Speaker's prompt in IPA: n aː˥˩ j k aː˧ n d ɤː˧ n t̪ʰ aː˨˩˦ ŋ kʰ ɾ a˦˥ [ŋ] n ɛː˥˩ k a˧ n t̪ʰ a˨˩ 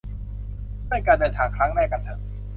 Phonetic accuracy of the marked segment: correct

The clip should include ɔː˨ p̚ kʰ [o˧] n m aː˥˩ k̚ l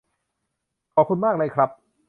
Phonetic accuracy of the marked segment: incorrect: u˧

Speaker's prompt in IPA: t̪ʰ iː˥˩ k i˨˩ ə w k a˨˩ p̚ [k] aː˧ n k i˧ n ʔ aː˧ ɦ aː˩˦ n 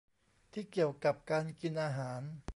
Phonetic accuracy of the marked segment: correct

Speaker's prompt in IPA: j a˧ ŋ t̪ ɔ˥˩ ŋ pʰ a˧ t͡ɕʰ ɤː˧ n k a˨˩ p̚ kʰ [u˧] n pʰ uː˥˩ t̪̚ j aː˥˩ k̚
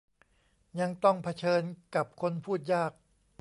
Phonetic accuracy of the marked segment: incorrect: o˧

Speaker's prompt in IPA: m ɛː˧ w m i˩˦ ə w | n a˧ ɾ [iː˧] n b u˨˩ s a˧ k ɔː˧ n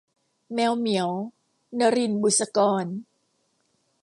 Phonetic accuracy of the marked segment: incorrect: i˧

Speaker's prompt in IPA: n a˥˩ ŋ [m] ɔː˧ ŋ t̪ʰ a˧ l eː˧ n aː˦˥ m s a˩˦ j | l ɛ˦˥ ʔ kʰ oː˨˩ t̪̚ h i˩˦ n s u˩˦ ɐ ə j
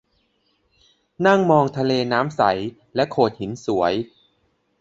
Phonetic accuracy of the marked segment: correct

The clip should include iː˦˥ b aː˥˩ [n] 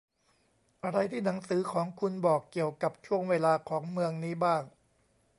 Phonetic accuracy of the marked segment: incorrect: ŋ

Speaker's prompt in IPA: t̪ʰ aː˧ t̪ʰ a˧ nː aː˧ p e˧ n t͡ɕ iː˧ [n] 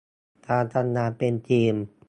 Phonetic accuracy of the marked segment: incorrect: m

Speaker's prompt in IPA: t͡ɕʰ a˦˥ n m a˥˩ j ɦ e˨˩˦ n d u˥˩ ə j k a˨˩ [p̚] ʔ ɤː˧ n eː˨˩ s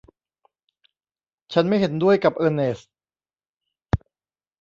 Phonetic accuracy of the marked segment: correct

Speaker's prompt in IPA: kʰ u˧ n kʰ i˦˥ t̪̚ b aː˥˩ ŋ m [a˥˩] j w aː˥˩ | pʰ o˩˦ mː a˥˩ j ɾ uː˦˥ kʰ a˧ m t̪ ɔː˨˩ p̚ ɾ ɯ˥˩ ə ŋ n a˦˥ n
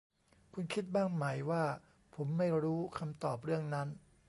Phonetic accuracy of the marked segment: incorrect: a˩˦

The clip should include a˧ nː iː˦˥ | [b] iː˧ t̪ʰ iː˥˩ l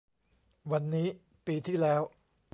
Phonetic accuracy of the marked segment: incorrect: p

